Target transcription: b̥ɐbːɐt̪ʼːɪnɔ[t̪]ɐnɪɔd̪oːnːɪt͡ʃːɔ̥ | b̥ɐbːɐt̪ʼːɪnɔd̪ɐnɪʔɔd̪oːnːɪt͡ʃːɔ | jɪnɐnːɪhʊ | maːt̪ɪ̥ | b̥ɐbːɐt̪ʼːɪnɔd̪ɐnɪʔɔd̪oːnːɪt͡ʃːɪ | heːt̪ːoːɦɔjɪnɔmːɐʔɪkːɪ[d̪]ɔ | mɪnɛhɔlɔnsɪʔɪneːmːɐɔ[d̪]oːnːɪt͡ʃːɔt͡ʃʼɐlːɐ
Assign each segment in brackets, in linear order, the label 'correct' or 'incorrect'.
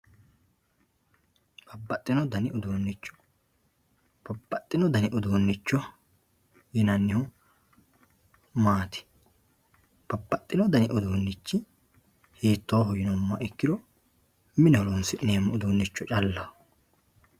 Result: incorrect: d̪, correct, correct

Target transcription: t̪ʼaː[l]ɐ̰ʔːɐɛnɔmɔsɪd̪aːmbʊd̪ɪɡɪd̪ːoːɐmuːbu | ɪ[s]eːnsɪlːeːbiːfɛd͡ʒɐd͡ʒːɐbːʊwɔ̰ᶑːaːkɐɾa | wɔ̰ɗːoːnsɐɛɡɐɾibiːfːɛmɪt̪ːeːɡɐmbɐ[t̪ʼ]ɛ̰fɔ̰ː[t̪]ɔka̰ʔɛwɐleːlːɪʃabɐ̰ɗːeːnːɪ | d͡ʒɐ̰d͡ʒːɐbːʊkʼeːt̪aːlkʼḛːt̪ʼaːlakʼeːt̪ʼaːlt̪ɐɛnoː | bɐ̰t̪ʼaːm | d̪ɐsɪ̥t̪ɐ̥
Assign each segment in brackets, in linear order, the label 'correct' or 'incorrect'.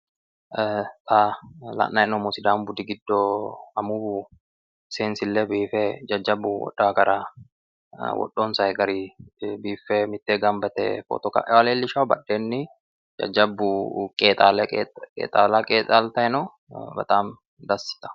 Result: correct, correct, incorrect: t̪, correct

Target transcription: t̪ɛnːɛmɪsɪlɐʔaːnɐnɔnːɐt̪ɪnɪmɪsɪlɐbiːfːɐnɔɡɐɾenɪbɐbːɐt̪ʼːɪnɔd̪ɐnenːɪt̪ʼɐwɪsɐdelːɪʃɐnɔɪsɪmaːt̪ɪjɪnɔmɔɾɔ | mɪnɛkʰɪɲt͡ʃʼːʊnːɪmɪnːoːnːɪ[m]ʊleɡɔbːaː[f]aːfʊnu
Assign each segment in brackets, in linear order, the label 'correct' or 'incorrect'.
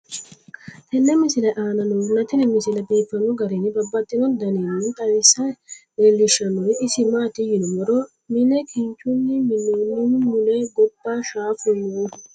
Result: correct, incorrect: ʃ

